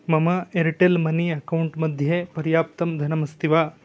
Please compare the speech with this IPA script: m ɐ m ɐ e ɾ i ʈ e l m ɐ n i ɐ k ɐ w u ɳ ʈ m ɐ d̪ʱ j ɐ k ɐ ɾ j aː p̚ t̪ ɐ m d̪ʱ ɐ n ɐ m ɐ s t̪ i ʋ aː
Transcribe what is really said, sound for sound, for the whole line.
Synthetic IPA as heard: m ɐ m ɐ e ɾ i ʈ e l m ɐ n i ɐ k ɐ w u ɳ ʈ m ɐ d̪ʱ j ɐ p ɐ ɾ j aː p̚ t̪ ɐ m d̪ʱ ɐ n ɐ m ɐ s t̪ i ʋ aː